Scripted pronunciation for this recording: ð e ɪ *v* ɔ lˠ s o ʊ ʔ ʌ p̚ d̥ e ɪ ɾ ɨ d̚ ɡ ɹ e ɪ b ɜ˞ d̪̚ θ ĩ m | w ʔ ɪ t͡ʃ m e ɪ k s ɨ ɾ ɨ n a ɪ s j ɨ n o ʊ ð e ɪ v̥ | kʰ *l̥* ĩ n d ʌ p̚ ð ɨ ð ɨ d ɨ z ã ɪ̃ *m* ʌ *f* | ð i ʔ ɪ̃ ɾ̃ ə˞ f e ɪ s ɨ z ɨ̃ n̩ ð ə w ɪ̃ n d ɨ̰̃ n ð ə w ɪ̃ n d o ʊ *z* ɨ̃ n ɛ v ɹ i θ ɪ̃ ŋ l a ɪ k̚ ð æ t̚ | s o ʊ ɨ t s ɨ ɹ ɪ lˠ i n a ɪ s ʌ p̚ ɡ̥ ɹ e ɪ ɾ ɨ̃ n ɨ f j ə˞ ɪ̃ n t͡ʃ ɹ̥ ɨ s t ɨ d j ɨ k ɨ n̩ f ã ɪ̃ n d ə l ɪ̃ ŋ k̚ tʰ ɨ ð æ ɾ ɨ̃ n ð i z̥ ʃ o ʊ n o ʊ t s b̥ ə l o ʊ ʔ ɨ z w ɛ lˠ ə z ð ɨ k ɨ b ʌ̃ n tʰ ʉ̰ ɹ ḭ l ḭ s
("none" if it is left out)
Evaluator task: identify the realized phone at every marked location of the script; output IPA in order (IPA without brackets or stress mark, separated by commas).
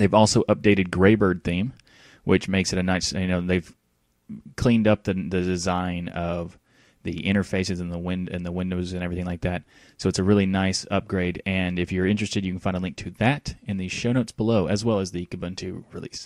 v, l̥, n, v, z